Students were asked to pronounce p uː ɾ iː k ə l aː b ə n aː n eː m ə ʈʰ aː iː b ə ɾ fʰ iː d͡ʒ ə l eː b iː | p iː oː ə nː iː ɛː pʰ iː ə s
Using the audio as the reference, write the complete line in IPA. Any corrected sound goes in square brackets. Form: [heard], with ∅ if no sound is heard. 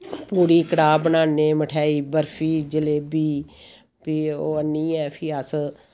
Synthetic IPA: p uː ɾ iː k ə [ɽ] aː b ə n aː n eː m ə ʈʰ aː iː b ə ɾ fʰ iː d͡ʒ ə l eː b iː | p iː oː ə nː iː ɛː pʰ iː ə s

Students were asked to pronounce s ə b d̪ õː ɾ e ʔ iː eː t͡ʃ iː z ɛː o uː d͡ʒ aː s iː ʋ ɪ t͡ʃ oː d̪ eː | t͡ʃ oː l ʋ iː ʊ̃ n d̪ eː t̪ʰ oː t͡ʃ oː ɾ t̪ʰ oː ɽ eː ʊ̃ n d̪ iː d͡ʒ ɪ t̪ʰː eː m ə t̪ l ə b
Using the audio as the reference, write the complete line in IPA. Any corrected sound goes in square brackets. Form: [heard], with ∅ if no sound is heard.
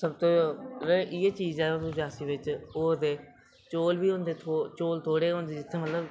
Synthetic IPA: s ə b [t̪] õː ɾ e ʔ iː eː t͡ʃ iː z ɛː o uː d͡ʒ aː s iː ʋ ɪ t͡ʃ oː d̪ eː | t͡ʃ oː l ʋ iː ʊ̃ n d̪ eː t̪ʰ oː t͡ʃ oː [l] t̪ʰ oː ɽ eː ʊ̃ n d̪ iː d͡ʒ ɪ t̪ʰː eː m ə t̪ l ə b

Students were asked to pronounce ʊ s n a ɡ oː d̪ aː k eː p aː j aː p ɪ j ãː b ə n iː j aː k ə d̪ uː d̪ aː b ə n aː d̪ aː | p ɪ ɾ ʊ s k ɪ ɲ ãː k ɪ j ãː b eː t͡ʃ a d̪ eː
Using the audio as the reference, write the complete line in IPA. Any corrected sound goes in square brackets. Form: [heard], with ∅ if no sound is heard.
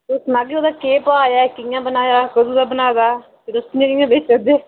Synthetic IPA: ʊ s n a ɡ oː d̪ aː k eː p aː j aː [k] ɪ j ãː b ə n [aː] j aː k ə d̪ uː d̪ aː b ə n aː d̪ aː | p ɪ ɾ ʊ s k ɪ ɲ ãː k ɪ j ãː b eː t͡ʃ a d̪ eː

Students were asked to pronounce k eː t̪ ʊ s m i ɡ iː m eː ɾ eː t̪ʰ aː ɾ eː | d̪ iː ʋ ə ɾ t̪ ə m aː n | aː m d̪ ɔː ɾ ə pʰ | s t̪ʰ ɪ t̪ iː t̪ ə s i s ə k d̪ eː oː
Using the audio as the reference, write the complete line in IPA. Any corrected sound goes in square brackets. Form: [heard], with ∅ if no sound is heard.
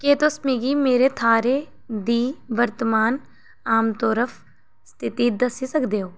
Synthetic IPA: k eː t̪ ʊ s m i ɡ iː m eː ɾ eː t̪ʰ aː ɾ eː | d̪ iː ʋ ə ɾ t̪ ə m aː n | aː m [t̪] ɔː ɾ ə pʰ | s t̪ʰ ɪ t̪ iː [d̪] ə s i s ə k d̪ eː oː

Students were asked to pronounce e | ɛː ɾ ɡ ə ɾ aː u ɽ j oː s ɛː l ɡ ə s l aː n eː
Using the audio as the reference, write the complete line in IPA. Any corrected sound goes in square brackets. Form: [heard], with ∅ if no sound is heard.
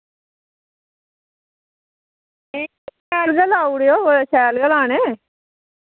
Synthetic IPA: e | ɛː [l] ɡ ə [l] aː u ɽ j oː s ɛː l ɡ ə [∅] l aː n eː

